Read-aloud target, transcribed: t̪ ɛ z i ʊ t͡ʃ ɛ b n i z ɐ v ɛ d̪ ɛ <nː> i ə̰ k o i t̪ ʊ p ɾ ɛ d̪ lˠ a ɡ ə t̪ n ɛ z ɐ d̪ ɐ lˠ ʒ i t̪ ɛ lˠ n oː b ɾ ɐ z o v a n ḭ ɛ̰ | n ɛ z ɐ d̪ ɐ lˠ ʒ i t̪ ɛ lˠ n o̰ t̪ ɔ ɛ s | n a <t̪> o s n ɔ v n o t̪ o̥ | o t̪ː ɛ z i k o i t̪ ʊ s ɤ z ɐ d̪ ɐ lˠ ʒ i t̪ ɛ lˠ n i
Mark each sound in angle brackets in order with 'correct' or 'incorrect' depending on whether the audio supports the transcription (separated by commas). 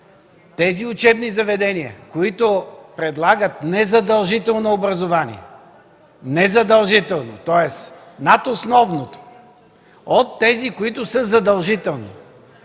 incorrect, correct